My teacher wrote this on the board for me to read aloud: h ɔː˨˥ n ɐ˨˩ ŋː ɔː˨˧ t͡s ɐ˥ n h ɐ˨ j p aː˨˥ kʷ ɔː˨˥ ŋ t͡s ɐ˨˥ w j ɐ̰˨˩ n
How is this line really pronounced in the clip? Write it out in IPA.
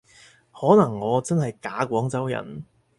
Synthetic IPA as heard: h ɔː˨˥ n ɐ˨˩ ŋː ɔː˨˧ t͡s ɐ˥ n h ɐ˨ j k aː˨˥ kʷ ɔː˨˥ ŋ t͡s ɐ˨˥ w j ɐ̰˨˩ n